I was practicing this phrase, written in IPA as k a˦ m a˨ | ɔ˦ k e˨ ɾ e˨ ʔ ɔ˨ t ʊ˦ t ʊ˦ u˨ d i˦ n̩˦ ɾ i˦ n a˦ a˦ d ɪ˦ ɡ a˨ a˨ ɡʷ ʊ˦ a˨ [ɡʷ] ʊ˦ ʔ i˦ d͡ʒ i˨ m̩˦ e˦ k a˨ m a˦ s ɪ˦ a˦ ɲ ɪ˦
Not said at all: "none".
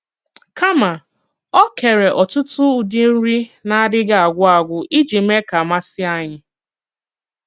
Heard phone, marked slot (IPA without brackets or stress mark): ɡʷ